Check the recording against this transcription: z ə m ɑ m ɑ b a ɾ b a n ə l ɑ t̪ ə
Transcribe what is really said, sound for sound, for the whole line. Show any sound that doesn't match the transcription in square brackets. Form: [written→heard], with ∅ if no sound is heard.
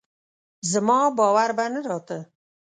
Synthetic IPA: z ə m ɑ [m→b] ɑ [b→w] a ɾ b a n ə [l→ɾ] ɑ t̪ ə